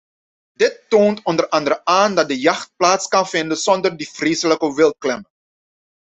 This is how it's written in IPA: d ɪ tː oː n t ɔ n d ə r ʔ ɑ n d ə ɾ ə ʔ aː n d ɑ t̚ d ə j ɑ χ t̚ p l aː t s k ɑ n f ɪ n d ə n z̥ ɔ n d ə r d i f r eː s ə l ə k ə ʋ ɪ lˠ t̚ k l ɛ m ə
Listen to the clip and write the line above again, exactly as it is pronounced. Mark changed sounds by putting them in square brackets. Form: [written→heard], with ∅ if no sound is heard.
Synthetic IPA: d ɪ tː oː n t ɔ n d ə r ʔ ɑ n d ə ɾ ə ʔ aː n d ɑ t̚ d ə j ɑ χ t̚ p l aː t s k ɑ n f ɪ n d ə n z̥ ɔ n d ə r d i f r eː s ə l ə k ə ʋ ɪ lˠ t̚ k l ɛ m ə